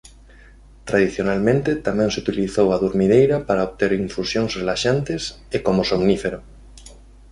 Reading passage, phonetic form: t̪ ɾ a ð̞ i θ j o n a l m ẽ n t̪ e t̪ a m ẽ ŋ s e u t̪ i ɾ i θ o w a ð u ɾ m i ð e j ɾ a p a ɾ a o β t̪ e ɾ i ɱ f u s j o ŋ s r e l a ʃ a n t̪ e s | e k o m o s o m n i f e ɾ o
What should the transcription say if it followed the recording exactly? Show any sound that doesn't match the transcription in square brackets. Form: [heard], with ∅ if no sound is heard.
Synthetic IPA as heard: t̪ ɾ a ð̞ i θ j o n a l m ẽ n t̪ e t̪ a m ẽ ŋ s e u t̪ i [l] i θ o w a ð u ɾ m i ð e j ɾ a p a ɾ a o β t̪ e ɾ i ɱ f u s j o ŋ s r e l a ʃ a n t̪ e s | e k o m o s o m n i f e ɾ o